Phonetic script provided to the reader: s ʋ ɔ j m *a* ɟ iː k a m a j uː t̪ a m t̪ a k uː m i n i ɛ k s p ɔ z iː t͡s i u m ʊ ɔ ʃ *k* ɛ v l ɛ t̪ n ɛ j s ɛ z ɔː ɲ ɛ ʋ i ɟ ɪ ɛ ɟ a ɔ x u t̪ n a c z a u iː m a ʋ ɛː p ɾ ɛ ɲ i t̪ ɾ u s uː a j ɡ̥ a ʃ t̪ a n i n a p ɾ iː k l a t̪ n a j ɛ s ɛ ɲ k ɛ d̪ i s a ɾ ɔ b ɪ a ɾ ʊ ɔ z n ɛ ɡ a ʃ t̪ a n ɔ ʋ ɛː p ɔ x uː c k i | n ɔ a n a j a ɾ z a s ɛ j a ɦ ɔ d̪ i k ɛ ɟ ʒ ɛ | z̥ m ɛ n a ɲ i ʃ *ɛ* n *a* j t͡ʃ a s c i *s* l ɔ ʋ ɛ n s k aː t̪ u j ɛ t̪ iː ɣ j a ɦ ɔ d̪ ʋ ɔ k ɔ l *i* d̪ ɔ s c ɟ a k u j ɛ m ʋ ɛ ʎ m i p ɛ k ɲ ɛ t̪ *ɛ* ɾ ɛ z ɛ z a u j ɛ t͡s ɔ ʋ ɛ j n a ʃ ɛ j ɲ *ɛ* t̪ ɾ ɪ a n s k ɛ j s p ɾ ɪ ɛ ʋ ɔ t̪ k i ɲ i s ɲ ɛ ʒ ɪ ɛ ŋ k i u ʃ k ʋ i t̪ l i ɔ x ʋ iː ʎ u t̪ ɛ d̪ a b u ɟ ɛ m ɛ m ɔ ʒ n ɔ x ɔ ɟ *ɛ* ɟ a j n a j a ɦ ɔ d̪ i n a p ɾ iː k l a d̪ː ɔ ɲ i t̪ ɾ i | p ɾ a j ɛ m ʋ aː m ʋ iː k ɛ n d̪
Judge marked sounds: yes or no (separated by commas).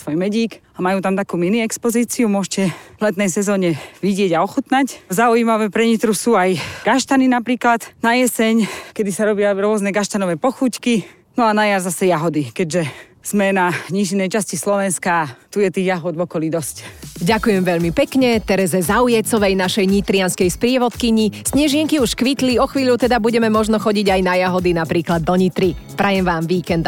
no, no, no, no, yes, yes, yes, no, no